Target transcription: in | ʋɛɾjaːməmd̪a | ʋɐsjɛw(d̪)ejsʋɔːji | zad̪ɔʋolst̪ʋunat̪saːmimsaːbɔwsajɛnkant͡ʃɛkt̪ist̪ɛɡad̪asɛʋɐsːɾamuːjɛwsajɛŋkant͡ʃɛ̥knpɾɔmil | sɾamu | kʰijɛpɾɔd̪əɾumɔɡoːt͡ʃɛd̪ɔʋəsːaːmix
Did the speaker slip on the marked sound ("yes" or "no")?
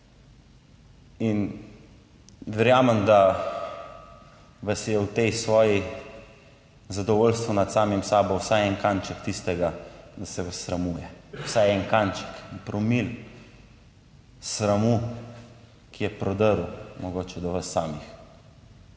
yes